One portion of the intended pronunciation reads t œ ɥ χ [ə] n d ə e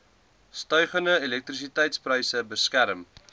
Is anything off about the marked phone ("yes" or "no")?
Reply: no